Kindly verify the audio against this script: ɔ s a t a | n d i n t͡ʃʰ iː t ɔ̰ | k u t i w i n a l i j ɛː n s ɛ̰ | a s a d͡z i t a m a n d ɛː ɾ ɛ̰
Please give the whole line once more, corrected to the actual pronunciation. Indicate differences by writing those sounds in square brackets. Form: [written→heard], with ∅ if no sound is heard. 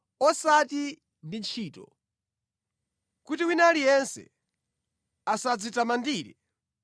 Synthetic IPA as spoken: ɔ s a t [a→i] | n d i n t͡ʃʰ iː t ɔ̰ | k u t i w i n a l i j [ɛː→ɛ] n s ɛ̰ | a s a d͡z i t a m a n d [ɛː→iː] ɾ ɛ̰